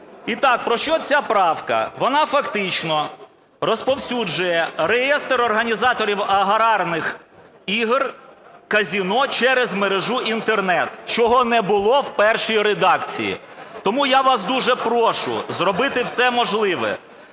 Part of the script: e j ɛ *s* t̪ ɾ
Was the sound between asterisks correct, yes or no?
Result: yes